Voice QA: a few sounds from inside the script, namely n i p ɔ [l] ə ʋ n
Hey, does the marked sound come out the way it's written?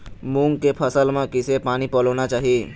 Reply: yes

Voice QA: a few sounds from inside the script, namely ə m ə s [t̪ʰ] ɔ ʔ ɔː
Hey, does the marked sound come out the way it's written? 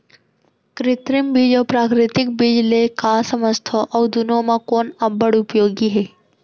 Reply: yes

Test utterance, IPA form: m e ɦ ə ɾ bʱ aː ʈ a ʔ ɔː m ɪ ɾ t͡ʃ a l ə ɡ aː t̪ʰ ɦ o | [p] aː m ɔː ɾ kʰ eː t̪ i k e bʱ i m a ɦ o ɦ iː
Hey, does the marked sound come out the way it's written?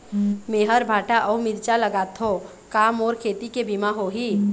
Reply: no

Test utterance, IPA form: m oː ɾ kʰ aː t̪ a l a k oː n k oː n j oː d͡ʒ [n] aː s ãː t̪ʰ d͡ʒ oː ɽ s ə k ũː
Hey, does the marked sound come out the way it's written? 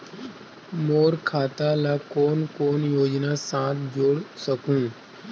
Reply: yes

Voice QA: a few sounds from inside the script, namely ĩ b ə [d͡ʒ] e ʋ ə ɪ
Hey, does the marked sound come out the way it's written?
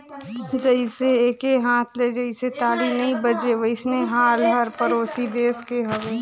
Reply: yes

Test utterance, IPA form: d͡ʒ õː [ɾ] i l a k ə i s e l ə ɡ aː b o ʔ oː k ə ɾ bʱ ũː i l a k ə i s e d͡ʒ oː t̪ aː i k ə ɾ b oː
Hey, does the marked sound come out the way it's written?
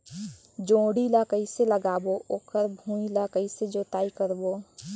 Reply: no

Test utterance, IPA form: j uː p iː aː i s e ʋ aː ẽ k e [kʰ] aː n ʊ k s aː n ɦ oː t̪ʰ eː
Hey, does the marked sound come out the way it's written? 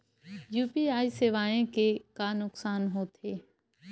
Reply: no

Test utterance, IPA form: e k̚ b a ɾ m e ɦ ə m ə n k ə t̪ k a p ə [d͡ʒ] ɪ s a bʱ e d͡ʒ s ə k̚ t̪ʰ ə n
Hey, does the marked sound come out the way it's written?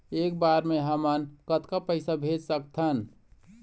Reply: no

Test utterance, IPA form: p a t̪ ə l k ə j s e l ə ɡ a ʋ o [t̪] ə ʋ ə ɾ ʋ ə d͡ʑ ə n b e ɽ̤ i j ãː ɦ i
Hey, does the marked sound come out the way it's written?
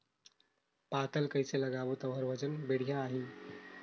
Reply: yes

